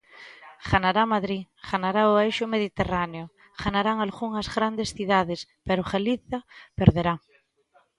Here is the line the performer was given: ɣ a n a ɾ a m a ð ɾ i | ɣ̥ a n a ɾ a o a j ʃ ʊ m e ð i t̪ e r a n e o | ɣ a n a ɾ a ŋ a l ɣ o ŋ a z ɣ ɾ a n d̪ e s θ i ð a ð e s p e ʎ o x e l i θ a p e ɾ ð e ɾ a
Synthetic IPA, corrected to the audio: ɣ a n a ɾ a m a ð ɾ i | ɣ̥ a n a ɾ a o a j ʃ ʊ m e ð i t̪ e r a n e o | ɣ a n a ɾ a ŋ a l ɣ u ŋ a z ɣ ɾ a n d̪ e s θ i ð a ð e s p e ɾ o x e l i θ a p e ɾ ð e ɾ a